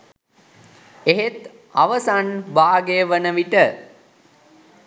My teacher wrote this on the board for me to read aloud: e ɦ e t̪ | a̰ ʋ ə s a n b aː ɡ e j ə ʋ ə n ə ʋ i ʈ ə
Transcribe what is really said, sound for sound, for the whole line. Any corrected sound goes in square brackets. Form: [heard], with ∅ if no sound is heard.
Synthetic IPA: e ɦ e t̪ | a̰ ʋ ə s a n b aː ɡ e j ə ʋ ə n ə ʋ i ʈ ə